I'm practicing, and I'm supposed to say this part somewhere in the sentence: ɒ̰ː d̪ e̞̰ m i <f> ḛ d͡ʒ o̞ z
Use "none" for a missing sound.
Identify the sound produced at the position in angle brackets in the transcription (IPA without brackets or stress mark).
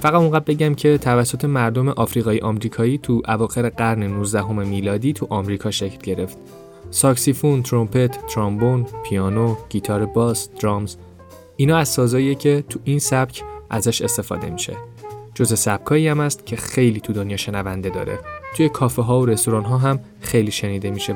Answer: ʃ